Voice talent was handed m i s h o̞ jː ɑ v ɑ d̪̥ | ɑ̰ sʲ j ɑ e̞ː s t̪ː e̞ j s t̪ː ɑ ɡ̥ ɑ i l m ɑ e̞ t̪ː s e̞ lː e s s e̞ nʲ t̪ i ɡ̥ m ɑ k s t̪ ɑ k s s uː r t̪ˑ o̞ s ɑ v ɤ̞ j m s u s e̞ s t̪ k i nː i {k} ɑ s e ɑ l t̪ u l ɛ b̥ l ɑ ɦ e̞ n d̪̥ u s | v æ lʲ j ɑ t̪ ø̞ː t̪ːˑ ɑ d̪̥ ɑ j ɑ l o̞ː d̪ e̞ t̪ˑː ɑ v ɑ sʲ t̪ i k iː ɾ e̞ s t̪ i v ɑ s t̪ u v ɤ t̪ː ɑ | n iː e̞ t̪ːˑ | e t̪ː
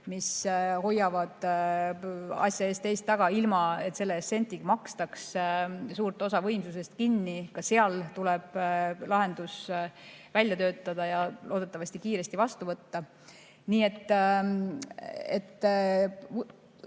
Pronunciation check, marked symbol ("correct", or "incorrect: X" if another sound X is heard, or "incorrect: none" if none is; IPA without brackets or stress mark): correct